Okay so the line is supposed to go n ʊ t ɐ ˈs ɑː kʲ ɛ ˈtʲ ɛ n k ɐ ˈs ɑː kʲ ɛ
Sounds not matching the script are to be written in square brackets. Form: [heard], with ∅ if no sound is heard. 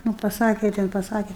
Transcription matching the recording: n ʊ [p] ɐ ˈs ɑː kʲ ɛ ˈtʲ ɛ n [p] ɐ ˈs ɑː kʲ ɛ